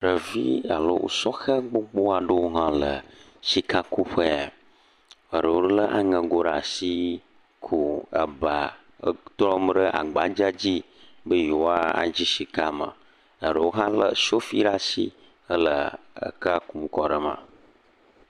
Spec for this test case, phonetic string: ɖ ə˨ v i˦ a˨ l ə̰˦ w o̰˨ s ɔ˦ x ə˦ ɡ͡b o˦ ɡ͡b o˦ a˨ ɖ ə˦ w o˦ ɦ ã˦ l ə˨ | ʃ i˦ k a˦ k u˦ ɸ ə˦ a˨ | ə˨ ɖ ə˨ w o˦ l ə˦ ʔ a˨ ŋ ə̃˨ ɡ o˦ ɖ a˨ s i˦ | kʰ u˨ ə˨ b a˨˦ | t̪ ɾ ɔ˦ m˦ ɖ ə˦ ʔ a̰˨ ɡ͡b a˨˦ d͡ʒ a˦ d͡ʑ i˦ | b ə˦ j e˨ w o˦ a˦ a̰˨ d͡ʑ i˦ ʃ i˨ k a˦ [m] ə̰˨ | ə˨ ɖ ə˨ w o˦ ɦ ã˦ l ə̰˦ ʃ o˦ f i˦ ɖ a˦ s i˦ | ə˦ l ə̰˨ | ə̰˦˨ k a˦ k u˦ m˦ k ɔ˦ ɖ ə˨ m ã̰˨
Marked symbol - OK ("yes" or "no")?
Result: yes